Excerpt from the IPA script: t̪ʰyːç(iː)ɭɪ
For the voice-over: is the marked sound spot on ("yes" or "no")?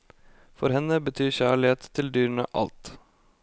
no